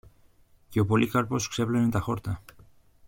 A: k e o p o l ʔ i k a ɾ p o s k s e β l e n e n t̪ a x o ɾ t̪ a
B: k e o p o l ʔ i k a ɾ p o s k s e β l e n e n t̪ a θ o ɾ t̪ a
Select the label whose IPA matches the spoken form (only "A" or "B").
A